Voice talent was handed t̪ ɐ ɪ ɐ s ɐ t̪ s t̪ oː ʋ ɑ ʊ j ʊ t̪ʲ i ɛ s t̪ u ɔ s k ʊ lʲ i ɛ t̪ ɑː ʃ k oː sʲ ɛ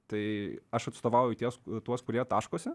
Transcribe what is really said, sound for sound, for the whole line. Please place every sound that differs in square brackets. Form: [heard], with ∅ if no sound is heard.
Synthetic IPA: t̪ ɐ ɪ ɐ [ʃ] ɐ t̪ s t̪ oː ʋ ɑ ʊ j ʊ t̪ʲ i ɛ s t̪ u ɔ s k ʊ [ɾʲ] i ɛ t̪ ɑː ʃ k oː sʲ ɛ